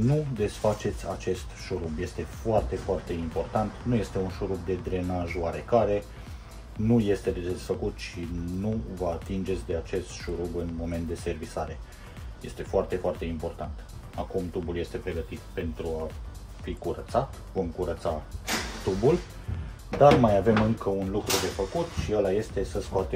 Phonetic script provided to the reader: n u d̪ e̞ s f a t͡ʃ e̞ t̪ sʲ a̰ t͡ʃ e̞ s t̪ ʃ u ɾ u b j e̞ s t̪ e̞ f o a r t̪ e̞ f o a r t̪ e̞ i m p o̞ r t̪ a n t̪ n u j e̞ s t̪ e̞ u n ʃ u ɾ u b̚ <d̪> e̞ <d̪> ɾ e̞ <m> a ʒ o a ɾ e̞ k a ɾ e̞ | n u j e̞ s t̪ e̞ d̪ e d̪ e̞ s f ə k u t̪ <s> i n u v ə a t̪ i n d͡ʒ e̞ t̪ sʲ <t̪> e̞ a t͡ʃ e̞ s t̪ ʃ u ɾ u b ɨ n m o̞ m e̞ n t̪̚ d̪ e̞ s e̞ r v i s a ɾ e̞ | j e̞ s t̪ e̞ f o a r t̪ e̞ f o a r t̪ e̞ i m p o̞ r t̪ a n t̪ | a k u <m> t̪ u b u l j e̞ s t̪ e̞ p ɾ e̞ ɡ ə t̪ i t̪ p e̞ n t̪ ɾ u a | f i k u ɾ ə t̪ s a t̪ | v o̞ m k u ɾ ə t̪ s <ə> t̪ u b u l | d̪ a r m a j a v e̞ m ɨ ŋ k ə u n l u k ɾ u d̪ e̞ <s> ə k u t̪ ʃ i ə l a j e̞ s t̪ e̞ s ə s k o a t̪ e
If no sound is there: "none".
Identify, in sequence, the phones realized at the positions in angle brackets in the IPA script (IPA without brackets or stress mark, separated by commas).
d̪, d̪, n, ʃ, d̪, m, a, f